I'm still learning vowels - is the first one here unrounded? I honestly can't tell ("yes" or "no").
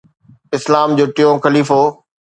yes